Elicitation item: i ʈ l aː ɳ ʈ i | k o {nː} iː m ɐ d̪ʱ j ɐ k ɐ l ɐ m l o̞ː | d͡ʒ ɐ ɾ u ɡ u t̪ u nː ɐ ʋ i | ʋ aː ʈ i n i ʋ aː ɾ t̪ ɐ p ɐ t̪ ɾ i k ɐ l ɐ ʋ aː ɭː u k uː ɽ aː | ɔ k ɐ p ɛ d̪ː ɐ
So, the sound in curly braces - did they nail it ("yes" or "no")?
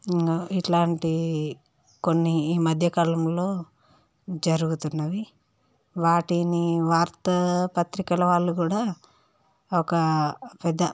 yes